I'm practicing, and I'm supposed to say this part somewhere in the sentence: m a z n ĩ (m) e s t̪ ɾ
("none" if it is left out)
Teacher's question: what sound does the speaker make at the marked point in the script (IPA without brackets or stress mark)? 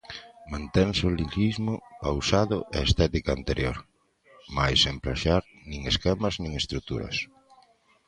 ŋ